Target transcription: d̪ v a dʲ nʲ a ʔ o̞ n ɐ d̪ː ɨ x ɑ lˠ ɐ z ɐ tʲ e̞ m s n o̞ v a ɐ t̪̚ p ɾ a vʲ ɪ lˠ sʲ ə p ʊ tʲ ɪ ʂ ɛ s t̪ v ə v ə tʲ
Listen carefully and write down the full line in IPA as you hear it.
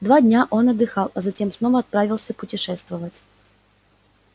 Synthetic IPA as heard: d̪ v a dʲ nʲ a ʔ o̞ n ɐ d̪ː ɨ x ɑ lˠ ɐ z ɐ tʲ e̞ m s n o̞ v ə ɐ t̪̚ p ɾ a vʲ ɪ lˠ sʲ ə p ʊ tʲ ɪ ʂ ɛ s t̪ v ə v ə tʲ